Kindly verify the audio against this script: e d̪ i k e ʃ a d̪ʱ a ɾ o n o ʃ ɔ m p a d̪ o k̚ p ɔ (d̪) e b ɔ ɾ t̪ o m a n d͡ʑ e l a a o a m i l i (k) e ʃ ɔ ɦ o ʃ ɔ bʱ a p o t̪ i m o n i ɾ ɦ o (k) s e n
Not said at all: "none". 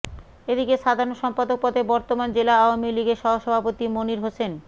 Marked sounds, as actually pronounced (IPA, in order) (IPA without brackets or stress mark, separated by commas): d̪, ɡ, none